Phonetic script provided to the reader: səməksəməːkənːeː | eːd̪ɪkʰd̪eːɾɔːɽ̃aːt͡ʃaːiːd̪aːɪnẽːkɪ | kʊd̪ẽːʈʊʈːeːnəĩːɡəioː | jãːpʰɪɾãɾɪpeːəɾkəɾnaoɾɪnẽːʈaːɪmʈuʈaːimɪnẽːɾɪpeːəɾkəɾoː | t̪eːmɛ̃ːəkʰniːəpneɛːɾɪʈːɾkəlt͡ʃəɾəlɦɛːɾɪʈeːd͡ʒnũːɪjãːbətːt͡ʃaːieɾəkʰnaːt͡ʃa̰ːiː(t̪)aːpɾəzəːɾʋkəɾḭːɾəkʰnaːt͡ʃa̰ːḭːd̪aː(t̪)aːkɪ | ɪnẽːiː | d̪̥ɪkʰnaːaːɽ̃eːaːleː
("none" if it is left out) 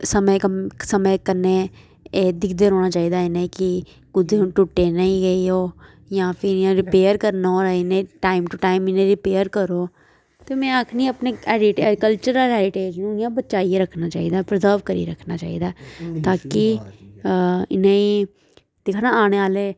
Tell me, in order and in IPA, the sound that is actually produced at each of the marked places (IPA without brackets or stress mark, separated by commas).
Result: d̪, t̪